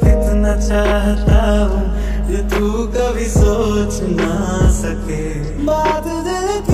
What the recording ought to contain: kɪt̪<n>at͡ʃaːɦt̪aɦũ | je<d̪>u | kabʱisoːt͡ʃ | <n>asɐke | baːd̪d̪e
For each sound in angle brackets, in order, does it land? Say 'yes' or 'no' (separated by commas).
yes, no, yes